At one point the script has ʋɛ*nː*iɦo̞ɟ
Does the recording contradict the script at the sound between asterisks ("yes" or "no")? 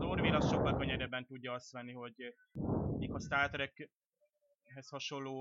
no